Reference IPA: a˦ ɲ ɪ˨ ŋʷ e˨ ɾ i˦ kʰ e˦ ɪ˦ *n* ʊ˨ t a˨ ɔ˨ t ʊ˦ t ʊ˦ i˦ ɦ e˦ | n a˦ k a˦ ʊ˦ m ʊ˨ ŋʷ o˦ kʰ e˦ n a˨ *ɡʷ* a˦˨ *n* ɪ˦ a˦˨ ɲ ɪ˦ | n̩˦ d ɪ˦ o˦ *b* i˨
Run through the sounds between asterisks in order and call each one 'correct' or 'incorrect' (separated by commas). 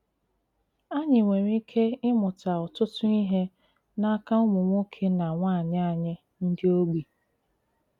incorrect, incorrect, incorrect, incorrect